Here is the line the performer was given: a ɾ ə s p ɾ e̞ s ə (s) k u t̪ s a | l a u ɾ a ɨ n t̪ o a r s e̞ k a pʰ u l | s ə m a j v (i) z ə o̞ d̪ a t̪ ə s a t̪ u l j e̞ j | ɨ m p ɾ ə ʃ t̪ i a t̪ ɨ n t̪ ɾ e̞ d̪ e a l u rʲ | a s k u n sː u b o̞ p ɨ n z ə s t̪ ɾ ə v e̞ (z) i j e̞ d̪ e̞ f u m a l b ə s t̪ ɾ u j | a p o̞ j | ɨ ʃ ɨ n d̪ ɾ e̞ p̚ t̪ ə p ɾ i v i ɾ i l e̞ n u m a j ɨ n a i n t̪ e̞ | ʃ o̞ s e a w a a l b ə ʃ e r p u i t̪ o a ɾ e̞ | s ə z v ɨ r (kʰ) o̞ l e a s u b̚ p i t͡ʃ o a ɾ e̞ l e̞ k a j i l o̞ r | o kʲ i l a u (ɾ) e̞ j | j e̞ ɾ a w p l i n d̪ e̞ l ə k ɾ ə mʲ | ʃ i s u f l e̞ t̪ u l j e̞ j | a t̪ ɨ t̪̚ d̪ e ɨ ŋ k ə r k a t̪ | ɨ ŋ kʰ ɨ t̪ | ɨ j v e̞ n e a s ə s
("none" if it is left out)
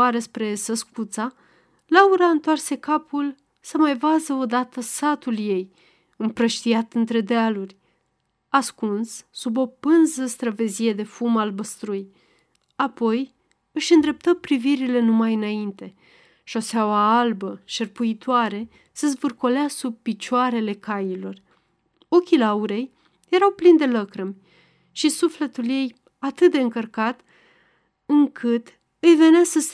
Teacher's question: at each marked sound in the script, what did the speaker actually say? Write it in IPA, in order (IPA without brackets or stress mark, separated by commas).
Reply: s, a, z, k, ɾ